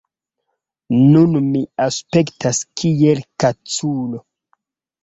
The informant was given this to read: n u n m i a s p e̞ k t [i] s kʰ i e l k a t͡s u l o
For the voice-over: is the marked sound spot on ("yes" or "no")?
no